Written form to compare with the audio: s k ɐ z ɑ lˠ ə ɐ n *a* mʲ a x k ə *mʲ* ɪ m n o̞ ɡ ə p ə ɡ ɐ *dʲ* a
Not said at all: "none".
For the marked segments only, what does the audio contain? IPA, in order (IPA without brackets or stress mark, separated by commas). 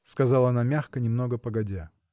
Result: a, nʲ, dʲ